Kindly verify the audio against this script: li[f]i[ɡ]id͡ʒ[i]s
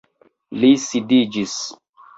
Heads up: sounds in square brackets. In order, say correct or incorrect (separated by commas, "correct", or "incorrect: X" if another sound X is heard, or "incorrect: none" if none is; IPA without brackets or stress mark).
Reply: incorrect: s, incorrect: d, correct